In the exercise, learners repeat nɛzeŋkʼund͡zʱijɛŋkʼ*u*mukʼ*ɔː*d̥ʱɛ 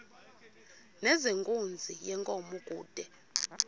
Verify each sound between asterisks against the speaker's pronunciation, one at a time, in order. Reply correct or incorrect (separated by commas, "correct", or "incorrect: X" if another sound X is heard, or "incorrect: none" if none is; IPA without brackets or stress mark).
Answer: incorrect: ɔ, incorrect: uː